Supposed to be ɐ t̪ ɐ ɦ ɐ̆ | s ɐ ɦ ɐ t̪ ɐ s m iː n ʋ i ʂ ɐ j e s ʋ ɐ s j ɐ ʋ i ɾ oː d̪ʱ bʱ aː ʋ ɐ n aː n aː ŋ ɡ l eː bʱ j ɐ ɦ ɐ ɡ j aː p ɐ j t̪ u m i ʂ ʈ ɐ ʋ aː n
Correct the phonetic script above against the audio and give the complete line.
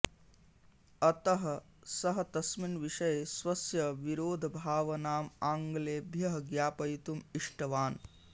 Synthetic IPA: ɐ t̪ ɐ ɦ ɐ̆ | s ɐ ɦ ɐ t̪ ɐ s m i n ʋ i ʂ ɐ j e s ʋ ɐ s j ɐ ʋ i ɾ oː d̪ʱ bʱ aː ʋ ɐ n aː m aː ŋ ɡ l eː bʱ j ɐ ɦ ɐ ɡ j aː p ɐ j t̪ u m i ʂ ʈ ɐ ʋ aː n

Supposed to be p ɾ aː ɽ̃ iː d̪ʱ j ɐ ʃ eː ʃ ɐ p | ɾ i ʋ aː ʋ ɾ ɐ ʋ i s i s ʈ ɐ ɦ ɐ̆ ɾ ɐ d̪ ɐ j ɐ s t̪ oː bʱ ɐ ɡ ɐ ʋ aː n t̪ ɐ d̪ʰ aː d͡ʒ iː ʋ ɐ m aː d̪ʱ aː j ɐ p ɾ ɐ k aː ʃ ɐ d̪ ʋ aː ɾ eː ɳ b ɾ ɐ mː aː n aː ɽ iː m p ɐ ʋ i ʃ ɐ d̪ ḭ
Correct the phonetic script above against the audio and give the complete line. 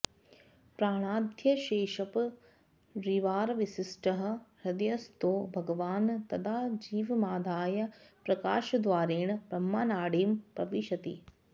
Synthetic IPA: p ɾ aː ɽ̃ aː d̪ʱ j ɐ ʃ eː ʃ ɐ p | ɾ i ʋ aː ɾ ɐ ʋ i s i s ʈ ɐ ɦ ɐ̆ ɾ ɐ d̪ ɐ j ɐ s t̪ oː bʱ ɐ ɡ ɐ ʋ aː n t̪ ɐ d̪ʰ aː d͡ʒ iː ʋ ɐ m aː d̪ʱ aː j ɐ p ɾ ɐ k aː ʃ ɐ d̪ ʋ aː ɾ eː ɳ b ɾ ɐ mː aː n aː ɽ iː m p ɐ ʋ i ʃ ɐ t̪ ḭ

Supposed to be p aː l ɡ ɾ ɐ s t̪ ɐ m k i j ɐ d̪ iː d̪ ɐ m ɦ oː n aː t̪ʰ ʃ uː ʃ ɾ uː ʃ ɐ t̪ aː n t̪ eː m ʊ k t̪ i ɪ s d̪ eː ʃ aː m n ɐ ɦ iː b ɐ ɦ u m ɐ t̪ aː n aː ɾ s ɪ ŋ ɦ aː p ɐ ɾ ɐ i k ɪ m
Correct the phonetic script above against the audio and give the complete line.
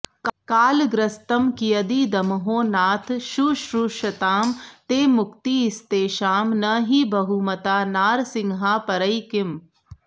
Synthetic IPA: k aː l ɡ ɾ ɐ s t̪ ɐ m k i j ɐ d̪ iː d̪ ɐ m ɦ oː n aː t̪ʰ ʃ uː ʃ ɾ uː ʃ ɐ t̪ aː m t̪ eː m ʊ k t̪ i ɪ s t̪ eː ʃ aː m n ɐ ɦ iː b ɐ ɦ u m ɐ t̪ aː n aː ɾ s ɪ ŋ ɦ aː p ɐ ɾ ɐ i k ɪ m

